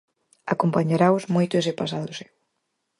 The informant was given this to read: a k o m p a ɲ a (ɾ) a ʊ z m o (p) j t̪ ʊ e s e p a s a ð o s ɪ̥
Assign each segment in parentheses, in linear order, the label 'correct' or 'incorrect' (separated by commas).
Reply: correct, incorrect